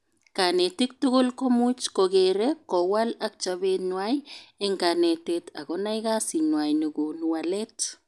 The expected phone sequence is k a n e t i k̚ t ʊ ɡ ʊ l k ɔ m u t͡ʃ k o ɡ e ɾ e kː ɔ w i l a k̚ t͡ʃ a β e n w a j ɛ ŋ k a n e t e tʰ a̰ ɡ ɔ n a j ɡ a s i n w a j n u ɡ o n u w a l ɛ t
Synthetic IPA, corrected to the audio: k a n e t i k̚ t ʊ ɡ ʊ l k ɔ m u t͡ʃ k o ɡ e ɾ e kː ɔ w a l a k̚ t͡ʃ a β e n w a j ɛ ŋ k a n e t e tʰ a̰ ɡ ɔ n a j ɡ a s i n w a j n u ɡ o n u w a l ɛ t